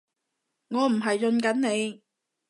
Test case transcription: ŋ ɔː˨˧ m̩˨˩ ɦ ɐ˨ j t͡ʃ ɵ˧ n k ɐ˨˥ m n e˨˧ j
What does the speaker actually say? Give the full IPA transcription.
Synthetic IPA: ŋ ɔː˨˧ m̩˨˩ ɦ ɐ˨ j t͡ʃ ɵ˧ n k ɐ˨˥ n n e˨˧ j